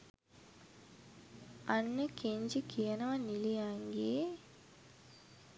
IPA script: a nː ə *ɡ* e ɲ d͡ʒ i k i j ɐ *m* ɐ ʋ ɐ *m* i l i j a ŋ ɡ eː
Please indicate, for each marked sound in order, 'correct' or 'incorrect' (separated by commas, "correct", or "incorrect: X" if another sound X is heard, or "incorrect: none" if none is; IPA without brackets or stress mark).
incorrect: k, incorrect: n, incorrect: n